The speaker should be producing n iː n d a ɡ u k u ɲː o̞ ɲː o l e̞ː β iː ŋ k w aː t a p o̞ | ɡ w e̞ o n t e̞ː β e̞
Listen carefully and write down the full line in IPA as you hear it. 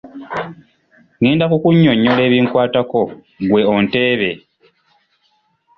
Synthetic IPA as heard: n iː n d a k u k u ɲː o̞ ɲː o l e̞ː β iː ŋ k w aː t a k o̞ | ɡ w e̞ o n t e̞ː β e̞